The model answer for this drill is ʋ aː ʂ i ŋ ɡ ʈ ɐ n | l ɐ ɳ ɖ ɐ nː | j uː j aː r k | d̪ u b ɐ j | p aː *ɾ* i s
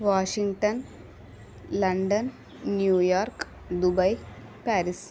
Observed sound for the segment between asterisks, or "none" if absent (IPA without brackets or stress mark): ɾ